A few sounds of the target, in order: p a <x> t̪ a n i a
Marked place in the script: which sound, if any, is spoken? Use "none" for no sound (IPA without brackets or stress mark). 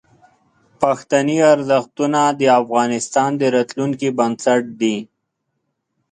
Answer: x